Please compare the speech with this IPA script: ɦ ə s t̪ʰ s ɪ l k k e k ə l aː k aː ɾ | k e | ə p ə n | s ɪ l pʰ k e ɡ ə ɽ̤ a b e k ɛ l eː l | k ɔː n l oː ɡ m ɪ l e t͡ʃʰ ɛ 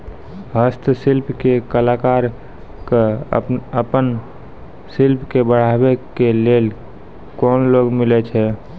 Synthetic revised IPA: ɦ ə s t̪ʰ s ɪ l p k e k ə l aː k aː ɾ | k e | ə p ə n | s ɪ l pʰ k e b ə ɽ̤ a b e k e l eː l | k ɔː n l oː ɡ m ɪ l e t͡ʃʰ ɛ